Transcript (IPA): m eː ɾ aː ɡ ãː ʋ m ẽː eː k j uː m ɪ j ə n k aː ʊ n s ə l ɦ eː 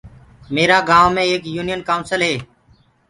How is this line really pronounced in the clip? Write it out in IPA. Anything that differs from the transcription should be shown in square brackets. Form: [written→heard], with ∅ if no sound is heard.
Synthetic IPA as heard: m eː ɾ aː ɡ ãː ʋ m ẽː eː k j uː [m→n] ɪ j ə n k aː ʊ n s ə l ɦ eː